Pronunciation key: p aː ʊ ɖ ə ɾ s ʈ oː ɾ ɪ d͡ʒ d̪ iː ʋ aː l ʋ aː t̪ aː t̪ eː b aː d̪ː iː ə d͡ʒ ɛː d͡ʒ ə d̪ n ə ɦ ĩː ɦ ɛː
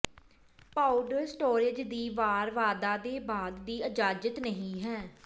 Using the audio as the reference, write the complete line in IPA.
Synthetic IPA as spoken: p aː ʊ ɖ ə ɾ s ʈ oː ɾ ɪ d͡ʒ d̪ iː ʋ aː ɾ ʋ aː d̪ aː d̪ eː b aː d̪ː iː ə d͡ʒ aː d͡ʒ ə t̪ n ə ɦ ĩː ɦ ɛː